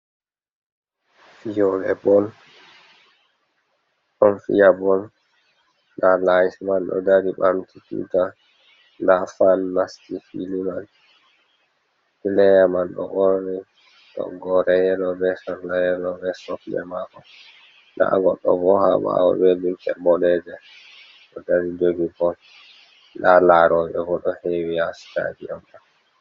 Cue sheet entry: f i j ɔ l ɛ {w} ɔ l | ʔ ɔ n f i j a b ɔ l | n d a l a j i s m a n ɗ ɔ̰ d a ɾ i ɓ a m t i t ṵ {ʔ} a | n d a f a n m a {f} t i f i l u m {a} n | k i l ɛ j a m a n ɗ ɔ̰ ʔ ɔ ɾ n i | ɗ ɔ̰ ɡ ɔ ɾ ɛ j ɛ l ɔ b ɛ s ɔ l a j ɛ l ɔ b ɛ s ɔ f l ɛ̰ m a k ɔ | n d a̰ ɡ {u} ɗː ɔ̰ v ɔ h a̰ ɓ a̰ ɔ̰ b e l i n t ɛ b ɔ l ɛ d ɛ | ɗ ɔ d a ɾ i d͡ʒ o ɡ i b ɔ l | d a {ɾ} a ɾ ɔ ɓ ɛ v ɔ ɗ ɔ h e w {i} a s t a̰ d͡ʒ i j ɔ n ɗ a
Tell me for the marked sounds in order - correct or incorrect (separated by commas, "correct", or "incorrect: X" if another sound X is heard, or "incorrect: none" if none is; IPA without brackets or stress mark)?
incorrect: b, incorrect: t, incorrect: s, correct, incorrect: ɔ, incorrect: l, correct